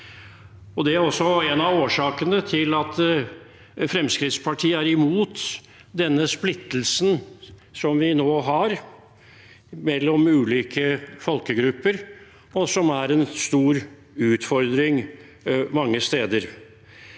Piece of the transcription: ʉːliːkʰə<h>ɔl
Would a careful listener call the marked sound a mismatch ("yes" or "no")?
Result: yes